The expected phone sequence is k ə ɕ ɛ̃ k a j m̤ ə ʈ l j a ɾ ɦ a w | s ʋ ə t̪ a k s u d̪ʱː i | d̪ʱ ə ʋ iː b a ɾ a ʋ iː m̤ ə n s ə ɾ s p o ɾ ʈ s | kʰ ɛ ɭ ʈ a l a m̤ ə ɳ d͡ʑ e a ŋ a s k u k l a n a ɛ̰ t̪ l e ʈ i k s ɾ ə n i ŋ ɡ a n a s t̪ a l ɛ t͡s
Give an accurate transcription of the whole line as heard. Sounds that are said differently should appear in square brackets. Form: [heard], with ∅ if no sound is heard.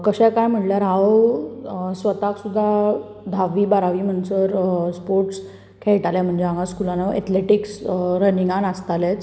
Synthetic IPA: k ə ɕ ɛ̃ k a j m̤ ə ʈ l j a ɾ ɦ a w | s ʋ ə t̪ a k s u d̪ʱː [a] | d̪ʱ [a] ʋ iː b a ɾ a ʋ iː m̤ ə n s ə ɾ s p o ɾ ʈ s | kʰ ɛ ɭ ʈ a l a m̤ ə ɳ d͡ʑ e a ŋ a s k u [∅] l a n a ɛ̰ t̪ l e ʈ i k s ɾ ə n i ŋ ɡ a n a s t̪ a l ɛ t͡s